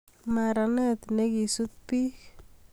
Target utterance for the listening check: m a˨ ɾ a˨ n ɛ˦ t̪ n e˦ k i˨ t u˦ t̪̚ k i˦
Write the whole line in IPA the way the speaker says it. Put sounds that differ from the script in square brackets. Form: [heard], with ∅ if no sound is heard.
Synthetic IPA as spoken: m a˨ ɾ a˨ n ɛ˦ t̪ n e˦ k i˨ [s] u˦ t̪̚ [p] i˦